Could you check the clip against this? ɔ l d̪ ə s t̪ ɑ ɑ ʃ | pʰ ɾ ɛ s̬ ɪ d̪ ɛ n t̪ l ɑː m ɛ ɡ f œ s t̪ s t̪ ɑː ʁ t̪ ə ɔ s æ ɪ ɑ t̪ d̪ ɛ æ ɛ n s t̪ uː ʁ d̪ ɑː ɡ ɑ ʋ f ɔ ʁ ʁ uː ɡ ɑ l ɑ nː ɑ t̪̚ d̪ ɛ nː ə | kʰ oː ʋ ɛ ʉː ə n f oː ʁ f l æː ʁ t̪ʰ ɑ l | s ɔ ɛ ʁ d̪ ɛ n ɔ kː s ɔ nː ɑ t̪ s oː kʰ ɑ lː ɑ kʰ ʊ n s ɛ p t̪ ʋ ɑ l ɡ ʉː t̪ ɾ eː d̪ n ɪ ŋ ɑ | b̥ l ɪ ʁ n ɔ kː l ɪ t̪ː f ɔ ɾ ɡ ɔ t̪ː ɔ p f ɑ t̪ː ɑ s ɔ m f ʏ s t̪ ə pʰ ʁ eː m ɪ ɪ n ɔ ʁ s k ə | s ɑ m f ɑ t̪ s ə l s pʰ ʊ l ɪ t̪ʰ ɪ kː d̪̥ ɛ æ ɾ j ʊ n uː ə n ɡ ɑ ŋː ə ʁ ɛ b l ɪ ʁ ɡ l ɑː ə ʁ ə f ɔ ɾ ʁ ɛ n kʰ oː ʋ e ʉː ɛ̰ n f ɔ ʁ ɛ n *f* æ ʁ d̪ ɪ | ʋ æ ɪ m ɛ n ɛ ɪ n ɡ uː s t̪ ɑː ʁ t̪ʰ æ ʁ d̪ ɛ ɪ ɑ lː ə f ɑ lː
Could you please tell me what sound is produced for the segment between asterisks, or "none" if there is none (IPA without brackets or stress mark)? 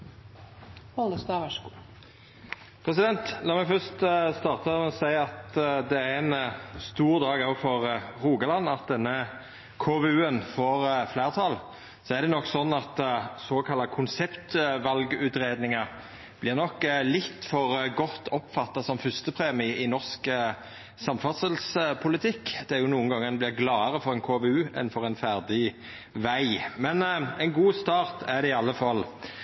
f